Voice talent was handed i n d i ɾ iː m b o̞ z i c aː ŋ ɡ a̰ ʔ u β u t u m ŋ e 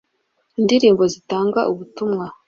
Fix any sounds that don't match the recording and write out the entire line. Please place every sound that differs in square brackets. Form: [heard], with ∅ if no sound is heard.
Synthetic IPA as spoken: i n d i ɾ iː m b o̞ z i [t] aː ŋ ɡ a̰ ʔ u β u t u m ŋ [a]

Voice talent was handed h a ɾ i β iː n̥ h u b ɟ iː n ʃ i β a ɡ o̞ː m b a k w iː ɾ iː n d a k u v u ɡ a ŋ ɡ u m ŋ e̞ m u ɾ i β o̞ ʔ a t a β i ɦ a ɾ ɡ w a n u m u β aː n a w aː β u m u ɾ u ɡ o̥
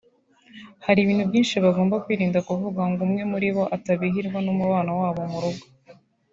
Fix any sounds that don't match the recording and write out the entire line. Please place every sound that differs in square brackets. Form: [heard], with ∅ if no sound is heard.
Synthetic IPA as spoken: h a ɾ i β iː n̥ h u b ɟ iː n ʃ i β a ɡ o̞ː m b a k w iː ɾ iː n d a k u v u ɡ a ŋ ɡ u m ŋ e̞ m u ɾ i β o̞ ʔ a t a β i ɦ [i] ɾ ɡ w a n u m u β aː n a w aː β [o] m u ɾ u ɡ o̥

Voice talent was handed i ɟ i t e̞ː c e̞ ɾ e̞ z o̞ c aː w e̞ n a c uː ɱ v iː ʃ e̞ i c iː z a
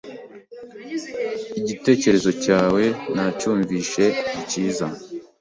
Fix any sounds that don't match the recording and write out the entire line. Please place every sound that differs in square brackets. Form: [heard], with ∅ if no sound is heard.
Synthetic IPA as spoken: i ɟ i t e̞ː c e̞ ɾ e̞ z o̞ c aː w e̞ n a c uː ɱ v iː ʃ e̞ i c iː z a

